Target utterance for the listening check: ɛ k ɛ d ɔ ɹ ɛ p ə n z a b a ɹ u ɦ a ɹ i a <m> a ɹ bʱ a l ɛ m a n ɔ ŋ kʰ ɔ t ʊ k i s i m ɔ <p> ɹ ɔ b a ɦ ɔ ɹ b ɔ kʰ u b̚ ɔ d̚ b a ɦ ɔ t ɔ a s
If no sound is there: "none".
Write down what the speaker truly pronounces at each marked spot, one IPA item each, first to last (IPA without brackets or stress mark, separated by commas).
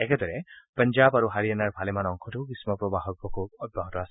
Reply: n, p